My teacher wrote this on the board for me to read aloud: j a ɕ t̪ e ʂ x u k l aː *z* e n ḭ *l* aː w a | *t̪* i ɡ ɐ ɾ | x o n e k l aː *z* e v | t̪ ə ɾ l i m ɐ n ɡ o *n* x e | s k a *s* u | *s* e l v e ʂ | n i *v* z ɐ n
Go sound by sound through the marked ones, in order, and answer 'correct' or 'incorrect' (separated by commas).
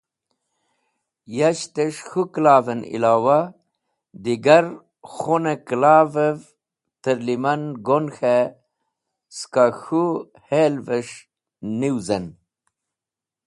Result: incorrect, correct, incorrect, incorrect, correct, incorrect, incorrect, incorrect